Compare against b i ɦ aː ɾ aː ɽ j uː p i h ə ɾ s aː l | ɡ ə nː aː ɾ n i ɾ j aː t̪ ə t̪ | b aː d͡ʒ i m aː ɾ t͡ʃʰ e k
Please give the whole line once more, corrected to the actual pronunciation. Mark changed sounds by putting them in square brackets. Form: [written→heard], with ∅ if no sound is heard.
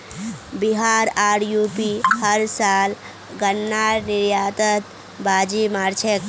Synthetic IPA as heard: b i ɦ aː ɾ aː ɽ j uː p i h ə ɾ s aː l | ɡ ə nː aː ɾ n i ɾ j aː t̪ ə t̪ | b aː d͡ʒ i m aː ɾ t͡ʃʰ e k